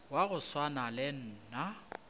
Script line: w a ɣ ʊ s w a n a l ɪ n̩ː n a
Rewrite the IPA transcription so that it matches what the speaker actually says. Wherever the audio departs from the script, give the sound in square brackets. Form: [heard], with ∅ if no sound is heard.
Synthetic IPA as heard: w a ɣ ʊ s w a n a l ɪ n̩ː n a